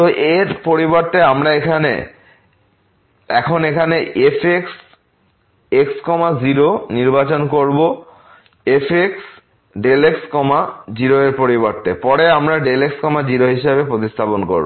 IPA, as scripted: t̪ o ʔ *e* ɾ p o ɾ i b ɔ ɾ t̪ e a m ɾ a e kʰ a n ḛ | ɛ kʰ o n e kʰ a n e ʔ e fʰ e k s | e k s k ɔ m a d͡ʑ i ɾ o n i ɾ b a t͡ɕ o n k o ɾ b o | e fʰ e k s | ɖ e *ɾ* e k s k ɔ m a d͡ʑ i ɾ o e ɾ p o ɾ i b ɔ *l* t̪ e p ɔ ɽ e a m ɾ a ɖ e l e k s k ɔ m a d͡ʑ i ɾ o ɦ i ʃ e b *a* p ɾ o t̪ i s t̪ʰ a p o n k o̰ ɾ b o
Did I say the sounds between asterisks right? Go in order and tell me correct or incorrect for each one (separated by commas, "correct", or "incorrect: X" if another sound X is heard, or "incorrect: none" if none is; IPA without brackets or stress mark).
correct, incorrect: l, incorrect: ɾ, incorrect: e